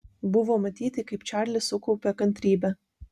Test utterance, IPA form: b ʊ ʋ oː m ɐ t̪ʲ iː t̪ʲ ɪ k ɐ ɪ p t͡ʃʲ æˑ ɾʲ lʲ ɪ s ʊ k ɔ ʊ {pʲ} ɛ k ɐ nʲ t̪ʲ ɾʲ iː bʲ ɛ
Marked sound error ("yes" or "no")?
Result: no